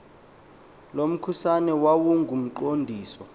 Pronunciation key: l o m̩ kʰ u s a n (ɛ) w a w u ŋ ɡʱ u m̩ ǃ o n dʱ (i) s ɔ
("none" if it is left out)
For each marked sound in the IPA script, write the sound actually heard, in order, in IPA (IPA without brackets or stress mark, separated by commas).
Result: ɛ, iː